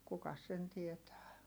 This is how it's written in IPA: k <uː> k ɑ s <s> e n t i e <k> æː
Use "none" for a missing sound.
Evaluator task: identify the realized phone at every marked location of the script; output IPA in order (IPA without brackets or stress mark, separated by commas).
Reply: u, s, t